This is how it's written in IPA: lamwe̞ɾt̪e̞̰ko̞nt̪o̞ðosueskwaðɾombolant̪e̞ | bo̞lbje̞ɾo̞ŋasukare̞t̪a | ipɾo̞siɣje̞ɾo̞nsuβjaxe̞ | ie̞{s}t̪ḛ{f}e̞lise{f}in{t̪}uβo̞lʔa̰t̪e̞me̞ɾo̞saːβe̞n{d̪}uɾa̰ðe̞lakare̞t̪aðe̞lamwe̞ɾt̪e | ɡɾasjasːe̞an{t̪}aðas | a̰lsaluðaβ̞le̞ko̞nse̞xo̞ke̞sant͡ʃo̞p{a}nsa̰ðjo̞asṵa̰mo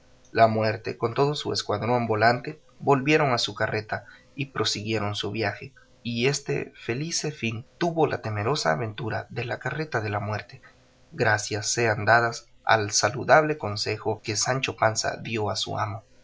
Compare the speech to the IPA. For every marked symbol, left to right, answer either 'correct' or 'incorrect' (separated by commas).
correct, correct, correct, correct, incorrect, incorrect, correct